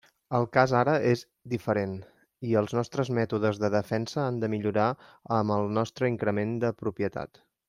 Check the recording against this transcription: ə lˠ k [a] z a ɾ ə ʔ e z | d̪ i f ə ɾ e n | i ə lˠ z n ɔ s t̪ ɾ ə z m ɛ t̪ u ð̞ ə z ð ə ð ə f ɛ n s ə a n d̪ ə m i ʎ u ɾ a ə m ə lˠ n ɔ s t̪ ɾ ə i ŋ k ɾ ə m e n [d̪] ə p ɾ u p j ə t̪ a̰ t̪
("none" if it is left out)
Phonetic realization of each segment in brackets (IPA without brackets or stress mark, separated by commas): a, d̪